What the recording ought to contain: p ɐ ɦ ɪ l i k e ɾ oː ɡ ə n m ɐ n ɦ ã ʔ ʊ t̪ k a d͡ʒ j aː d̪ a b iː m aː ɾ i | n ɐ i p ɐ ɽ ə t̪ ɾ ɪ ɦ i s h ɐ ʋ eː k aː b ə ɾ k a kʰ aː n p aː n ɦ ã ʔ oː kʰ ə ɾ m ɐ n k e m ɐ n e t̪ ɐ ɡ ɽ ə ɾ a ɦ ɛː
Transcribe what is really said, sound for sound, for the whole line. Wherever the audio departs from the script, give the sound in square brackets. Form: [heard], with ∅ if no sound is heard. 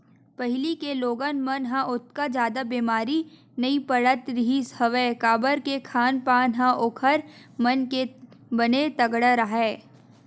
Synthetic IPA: p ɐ ɦ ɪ l i k e [l] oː ɡ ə n m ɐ n ɦ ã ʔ ʊ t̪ k a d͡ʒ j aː d̪ a b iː m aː ɾ i | n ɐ i p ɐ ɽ ə t̪ ɾ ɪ ɦ i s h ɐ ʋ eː k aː b ə ɾ k [e] kʰ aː n p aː n ɦ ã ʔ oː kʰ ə ɾ m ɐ n k e [b] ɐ n e t̪ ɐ ɡ ɽ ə ɾ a ɦ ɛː